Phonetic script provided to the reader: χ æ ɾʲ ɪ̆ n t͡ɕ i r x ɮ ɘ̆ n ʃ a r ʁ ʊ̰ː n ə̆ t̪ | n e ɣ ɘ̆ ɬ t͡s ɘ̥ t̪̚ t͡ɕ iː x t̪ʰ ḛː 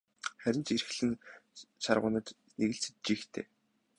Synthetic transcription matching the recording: χ æ ɾʲ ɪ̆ n t͡ɕ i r x ɮ ɘ̆ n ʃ a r ʁ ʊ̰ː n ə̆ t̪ | n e ɣ ɘ̆ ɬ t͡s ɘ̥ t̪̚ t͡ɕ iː x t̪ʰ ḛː